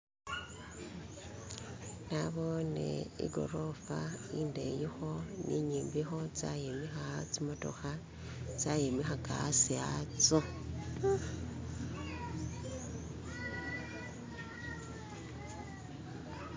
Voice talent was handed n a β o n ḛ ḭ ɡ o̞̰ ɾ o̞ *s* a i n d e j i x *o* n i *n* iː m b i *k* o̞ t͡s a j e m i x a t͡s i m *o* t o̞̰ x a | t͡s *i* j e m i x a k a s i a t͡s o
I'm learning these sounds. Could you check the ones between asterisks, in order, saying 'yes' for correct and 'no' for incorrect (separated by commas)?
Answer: no, yes, no, no, yes, no